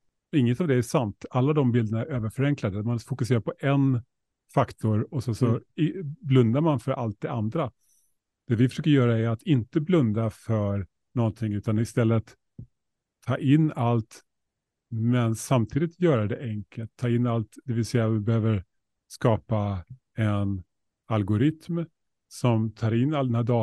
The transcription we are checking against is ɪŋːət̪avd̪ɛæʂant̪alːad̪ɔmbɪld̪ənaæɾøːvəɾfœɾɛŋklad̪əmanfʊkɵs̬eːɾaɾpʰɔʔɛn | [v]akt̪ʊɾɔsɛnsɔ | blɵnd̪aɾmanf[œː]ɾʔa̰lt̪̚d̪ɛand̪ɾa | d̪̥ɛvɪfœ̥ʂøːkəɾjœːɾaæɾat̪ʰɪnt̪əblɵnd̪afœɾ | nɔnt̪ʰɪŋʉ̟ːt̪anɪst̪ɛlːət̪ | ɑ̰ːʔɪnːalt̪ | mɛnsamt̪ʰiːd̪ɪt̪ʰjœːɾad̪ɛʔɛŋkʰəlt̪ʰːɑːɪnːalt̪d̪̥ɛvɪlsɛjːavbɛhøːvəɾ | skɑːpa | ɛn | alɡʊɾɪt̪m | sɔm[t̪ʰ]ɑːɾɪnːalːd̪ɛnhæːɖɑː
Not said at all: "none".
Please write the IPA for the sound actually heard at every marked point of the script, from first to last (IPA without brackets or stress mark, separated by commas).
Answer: f, œ, t̪ʰ